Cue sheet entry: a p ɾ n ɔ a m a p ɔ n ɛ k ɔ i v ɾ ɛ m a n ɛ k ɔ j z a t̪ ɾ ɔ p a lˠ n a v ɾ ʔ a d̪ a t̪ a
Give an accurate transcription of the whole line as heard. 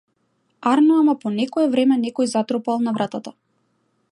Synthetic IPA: a ɾ n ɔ a m a p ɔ n ɛ k ɔ ɛ v ɾ ɛ m ɛ n ɛ k ɔ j z a t̪ ɾ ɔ p a lˠ n a v ɾ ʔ a t̪ a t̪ a